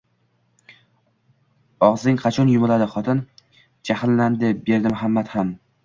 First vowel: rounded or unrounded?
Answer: rounded